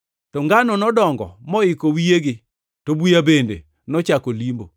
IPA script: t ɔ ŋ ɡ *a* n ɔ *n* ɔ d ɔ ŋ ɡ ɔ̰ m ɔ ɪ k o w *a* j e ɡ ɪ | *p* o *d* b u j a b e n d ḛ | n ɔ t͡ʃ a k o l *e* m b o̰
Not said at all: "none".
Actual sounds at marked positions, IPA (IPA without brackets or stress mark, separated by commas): a, n, i, t, none, i